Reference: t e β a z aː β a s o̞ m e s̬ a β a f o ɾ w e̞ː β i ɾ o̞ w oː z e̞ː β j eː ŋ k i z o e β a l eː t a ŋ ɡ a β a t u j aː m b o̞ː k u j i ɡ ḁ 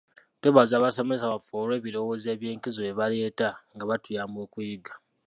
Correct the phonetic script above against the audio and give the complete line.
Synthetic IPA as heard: t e β a z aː β a s o̞ m e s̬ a β a f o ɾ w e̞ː β i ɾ o̞ w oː z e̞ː β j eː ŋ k i z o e β a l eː t a ŋ ɡ a β a t u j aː m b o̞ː k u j i ɡ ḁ

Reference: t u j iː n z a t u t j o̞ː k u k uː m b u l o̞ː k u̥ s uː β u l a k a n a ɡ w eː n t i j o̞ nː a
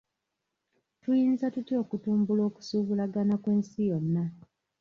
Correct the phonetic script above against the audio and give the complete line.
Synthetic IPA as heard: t u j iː n z a t u t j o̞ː k u t uː m b u l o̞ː k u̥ s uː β u l a ɡ a n a k w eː n s i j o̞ nː a

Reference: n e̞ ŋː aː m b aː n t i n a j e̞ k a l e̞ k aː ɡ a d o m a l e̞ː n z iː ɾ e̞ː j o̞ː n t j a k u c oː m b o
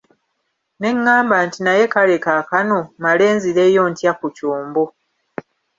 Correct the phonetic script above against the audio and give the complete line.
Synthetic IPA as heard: n e̞ ŋː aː m b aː n t i n a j e̞ k a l e̞ k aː k a n o m a l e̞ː n z i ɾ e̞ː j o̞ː n t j a k u c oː m b o

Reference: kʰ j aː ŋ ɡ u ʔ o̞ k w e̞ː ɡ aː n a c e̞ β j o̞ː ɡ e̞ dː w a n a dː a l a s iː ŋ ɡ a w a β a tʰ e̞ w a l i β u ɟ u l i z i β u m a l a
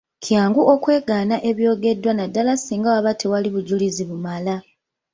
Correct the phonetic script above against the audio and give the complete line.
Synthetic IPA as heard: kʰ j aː ŋ ɡ u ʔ o̞ k w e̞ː ɡ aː n a ʔ e̞ β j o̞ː ɡ e̞ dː w a n a dː a l a s iː ŋ ɡ a w a β a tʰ e̞ w a l i β u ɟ u l i z i β u m a l a

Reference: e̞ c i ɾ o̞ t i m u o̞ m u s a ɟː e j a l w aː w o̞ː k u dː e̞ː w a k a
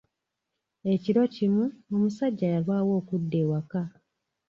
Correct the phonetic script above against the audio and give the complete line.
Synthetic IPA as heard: e̞ c i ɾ o̞ c i m u o̞ m u s a ɟː a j a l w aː w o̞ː k u dː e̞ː w a k a

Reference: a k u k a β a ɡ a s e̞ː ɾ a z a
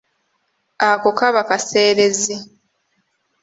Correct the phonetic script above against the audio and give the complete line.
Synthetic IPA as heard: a k o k a β a k a s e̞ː ɾ e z i

